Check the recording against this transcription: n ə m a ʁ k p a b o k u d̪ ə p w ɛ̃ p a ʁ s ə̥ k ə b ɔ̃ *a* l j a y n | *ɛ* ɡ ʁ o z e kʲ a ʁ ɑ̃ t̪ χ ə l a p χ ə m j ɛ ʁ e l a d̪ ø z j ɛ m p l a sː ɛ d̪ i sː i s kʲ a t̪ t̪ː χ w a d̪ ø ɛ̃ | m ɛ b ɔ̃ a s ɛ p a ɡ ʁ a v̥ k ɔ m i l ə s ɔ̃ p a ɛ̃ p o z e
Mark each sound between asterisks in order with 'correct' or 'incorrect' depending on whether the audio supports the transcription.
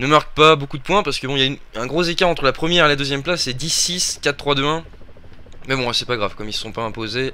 incorrect: i, incorrect: ɛ̃

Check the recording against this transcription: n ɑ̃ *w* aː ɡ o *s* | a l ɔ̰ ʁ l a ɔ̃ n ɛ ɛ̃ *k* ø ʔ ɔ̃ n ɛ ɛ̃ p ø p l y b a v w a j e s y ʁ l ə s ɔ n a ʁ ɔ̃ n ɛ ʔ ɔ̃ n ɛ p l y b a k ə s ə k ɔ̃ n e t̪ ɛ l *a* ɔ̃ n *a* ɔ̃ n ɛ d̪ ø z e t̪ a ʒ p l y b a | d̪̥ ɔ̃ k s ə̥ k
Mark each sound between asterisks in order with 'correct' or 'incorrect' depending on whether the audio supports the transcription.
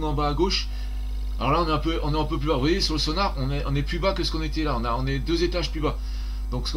incorrect: b, incorrect: ʃ, incorrect: p, correct, correct

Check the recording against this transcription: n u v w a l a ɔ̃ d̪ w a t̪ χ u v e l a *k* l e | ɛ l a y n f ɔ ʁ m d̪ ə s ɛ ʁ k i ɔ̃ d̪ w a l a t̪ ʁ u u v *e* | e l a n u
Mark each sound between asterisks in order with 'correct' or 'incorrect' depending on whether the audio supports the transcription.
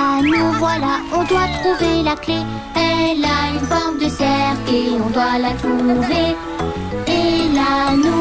correct, correct

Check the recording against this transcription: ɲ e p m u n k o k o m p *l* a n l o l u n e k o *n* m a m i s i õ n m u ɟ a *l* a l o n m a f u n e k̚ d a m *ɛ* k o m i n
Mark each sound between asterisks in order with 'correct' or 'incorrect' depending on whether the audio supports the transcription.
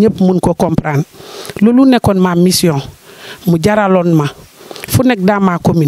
incorrect: ɾ, correct, incorrect: ɾ, incorrect: a

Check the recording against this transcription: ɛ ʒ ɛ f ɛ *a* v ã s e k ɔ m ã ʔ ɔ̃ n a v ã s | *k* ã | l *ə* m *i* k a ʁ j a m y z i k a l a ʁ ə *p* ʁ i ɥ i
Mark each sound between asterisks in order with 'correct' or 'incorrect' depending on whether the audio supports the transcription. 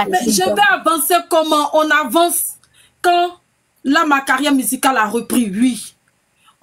correct, correct, incorrect: a, incorrect: a, correct

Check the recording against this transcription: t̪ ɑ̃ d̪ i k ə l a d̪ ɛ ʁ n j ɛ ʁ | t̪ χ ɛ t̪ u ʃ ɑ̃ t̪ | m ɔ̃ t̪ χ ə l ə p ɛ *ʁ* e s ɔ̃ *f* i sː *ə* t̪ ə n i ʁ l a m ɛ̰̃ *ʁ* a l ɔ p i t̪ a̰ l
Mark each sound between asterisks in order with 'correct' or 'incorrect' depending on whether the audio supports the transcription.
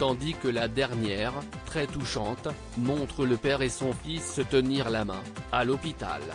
correct, correct, correct, incorrect: none

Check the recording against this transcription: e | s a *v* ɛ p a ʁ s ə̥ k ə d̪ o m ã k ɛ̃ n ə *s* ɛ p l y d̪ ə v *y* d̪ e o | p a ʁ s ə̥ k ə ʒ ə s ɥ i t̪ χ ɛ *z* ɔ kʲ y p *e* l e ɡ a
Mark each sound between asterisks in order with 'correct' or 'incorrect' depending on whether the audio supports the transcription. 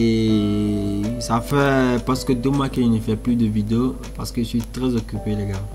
incorrect: f, incorrect: f, incorrect: i, correct, correct

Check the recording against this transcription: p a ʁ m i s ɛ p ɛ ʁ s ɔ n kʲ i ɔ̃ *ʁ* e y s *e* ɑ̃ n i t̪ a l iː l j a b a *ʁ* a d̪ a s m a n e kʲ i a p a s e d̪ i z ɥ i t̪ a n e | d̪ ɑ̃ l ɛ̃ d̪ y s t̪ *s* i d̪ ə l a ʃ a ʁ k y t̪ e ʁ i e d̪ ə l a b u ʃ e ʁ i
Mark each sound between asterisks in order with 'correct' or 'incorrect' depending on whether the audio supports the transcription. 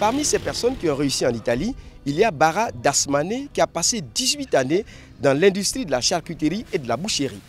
correct, incorrect: i, correct, incorrect: χ

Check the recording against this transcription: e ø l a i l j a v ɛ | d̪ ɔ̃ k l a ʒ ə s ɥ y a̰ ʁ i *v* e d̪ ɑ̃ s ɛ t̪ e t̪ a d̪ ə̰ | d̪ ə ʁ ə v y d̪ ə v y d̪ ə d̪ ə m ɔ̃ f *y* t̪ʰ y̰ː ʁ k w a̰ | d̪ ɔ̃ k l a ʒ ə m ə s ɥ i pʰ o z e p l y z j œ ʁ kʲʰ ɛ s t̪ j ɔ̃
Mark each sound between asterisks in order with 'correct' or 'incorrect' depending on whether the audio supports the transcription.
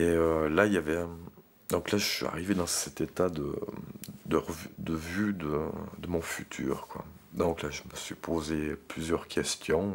correct, correct

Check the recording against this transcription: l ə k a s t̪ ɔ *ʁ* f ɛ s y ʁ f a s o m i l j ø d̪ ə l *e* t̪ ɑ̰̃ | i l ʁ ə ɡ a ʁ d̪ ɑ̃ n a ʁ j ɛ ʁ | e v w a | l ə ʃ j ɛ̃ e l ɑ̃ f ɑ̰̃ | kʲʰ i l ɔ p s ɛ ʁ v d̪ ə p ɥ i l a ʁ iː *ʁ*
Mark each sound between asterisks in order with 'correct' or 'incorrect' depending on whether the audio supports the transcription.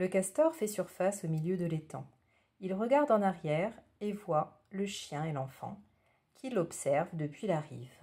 correct, correct, incorrect: v

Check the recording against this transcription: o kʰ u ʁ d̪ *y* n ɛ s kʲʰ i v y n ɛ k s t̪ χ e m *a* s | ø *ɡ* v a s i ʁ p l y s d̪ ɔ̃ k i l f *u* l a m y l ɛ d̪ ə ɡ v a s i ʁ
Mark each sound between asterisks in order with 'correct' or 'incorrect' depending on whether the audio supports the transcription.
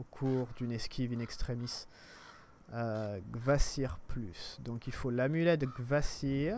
correct, incorrect: i, correct, incorrect: o

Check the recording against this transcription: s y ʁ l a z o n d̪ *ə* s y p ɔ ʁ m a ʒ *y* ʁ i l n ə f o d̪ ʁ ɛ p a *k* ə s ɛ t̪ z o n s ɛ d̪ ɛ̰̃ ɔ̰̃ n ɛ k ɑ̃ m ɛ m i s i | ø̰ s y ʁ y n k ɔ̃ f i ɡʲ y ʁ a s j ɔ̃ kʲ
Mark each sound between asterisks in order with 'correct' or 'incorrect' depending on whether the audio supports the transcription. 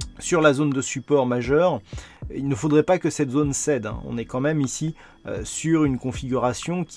correct, incorrect: œ, correct

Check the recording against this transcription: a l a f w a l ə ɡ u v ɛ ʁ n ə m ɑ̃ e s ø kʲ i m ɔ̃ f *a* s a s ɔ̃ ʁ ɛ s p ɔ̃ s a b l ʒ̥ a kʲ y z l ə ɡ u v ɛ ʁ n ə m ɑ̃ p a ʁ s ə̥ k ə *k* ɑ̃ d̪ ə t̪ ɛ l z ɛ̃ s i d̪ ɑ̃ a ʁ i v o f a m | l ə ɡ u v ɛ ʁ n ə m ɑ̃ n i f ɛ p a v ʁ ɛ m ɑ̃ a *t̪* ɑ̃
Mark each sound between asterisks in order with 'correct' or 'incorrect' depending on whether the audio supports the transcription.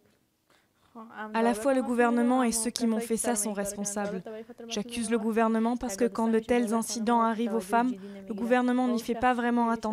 incorrect: ɛ, correct, correct

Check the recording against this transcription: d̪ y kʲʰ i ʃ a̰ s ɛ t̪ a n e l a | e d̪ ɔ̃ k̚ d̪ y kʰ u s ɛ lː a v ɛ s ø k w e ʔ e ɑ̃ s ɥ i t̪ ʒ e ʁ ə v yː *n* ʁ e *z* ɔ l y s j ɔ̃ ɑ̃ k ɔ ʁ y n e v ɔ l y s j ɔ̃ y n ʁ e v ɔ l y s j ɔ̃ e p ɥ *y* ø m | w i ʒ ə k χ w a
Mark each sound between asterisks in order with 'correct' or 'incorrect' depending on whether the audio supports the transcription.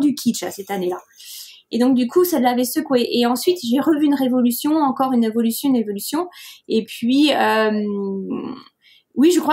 correct, incorrect: v, incorrect: i

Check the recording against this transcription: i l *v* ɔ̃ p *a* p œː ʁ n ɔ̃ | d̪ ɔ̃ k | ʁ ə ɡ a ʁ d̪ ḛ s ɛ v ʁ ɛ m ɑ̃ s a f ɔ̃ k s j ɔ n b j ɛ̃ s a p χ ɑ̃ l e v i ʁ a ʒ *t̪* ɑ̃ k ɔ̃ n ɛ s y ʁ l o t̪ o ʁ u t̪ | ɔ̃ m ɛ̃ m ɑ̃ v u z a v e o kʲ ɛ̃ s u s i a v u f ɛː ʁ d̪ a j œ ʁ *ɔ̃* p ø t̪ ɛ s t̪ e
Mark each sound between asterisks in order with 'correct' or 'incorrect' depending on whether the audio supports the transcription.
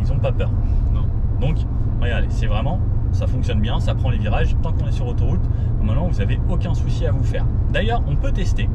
incorrect: z, correct, correct, correct

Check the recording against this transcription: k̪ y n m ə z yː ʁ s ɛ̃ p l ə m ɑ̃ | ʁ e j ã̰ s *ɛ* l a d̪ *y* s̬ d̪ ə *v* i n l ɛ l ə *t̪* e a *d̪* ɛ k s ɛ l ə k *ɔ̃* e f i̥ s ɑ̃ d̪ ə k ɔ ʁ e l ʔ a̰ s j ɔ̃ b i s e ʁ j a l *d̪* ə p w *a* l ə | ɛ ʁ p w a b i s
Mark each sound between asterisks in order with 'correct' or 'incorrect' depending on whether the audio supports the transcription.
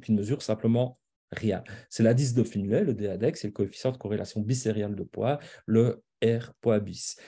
correct, incorrect: i, incorrect: f, incorrect: d̪, correct, incorrect: ɔ, correct, correct

